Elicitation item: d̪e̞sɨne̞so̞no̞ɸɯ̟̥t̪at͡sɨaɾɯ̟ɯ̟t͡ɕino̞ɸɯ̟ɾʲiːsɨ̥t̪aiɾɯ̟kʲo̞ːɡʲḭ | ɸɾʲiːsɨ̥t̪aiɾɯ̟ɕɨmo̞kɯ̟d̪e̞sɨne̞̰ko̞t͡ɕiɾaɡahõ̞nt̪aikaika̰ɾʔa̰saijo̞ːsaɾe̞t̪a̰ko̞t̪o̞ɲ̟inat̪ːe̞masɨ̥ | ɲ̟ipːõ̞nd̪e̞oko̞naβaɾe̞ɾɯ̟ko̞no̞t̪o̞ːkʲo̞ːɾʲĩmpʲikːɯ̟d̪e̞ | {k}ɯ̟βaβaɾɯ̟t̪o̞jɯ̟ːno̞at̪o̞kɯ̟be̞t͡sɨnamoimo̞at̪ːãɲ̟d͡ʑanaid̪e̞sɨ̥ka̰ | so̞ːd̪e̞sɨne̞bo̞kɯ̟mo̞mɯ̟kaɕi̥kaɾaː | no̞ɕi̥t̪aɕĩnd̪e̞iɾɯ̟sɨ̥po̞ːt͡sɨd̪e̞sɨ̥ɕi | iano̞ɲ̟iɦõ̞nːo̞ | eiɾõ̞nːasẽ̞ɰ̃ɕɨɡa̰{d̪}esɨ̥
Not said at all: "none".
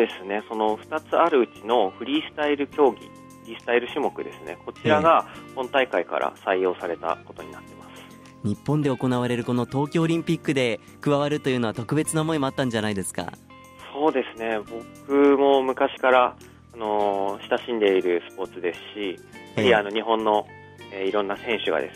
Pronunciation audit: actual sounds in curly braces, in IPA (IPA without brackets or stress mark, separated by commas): k, d̪